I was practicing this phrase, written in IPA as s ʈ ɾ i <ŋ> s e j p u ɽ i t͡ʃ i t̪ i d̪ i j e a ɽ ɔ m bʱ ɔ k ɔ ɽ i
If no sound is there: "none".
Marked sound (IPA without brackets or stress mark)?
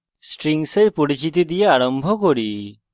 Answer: ŋ